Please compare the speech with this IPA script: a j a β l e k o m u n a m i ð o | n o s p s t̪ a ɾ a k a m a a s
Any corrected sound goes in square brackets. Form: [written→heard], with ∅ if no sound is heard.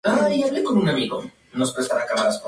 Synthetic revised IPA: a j a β l e k o [m→n] u n a m i [ð→ɣ] o | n o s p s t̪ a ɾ a k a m a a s